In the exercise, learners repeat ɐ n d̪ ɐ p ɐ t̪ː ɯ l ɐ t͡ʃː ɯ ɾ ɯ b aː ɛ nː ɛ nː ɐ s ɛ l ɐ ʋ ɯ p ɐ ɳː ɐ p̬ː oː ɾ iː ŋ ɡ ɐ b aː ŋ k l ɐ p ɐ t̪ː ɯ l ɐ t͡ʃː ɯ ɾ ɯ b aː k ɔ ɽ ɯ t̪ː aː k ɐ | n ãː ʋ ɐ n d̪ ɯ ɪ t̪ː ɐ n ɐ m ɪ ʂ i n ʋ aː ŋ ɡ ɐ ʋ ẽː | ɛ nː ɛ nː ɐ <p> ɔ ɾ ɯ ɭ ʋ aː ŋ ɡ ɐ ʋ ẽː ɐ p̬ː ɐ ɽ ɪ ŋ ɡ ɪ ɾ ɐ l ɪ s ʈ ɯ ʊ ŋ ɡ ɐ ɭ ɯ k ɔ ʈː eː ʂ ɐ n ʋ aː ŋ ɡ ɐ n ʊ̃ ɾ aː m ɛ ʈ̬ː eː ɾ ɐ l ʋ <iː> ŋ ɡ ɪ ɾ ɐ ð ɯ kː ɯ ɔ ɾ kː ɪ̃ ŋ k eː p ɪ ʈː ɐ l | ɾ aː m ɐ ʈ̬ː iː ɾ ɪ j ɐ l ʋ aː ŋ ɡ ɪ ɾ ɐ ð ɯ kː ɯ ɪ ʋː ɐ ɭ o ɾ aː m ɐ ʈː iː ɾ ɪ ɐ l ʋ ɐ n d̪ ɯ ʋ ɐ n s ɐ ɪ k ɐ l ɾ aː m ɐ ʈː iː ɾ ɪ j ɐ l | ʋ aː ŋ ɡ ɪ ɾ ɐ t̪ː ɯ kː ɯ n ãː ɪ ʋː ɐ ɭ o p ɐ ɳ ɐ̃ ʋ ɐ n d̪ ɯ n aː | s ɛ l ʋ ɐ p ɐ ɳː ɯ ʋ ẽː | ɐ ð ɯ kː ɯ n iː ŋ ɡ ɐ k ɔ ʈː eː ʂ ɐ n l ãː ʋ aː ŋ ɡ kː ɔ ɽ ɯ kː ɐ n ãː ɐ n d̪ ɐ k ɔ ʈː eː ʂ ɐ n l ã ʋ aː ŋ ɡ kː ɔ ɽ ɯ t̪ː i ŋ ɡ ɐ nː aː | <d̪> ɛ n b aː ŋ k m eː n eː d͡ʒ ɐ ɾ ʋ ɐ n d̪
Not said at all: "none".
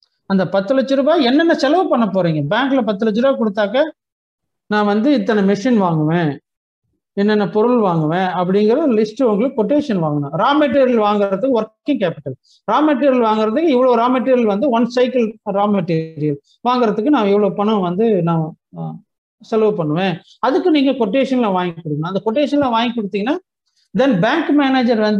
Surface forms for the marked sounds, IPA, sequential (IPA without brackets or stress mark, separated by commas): p, aː, d̪